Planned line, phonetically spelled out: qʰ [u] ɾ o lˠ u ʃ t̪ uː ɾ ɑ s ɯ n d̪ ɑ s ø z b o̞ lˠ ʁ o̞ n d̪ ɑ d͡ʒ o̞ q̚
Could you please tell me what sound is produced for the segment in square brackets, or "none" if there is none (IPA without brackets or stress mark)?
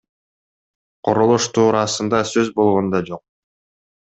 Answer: o